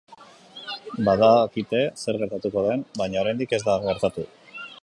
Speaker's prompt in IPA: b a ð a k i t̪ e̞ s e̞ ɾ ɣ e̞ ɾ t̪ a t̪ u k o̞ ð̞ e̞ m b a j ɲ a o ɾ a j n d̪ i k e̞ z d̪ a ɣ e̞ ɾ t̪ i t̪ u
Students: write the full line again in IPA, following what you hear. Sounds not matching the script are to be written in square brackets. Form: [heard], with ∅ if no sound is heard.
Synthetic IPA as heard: b a ð a k i t̪ e̞ s e̞ ɾ ɣ e̞ ɾ t̪ a t̪ u k o̞ ð̞ e̞ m b a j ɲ a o ɾ a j n d̪ i k e̞ z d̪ a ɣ e̞ ɾ t̪ [a] t̪ u